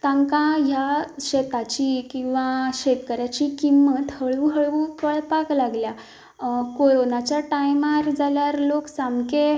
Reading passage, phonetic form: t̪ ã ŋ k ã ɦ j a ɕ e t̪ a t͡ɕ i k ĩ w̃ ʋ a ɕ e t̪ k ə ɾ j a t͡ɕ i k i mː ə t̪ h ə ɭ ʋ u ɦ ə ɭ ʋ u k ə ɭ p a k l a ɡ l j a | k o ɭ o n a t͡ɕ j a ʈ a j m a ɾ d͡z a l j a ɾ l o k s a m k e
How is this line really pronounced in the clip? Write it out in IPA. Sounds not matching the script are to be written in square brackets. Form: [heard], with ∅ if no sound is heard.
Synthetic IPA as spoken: t̪ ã ŋ k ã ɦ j a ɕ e t̪ a t͡ɕ i k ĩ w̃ ʋ a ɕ e t̪ k ə ɾ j a t͡ɕ i k i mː ə t̪ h ə ɭ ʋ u ɦ ə ɭ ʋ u k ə ɭ p a k l a ɡ l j a | k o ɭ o n a t͡ɕ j a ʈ a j m a ɾ d͡z a l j a ɾ l o k s a m k e